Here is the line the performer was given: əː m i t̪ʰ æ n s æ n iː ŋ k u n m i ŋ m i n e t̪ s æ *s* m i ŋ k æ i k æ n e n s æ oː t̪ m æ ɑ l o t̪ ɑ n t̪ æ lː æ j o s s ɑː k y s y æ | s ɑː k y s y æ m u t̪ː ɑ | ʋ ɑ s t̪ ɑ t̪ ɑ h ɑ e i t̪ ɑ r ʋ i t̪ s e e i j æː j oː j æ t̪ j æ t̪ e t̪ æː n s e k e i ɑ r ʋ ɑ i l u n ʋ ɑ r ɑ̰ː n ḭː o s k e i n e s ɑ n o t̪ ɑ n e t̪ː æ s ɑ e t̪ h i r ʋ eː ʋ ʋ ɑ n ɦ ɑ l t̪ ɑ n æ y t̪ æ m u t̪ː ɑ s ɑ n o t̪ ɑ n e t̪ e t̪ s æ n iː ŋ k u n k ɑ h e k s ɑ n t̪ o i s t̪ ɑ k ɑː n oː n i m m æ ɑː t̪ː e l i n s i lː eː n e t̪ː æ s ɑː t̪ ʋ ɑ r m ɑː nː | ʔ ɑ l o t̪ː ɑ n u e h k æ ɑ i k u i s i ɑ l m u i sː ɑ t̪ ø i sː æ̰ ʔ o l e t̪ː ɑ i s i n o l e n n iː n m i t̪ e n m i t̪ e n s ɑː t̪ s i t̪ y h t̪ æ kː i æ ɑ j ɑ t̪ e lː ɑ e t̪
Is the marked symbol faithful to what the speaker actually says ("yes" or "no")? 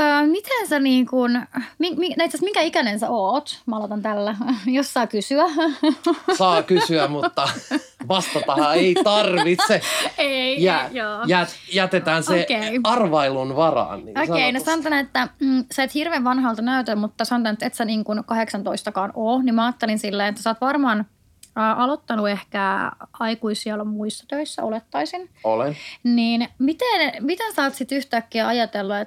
yes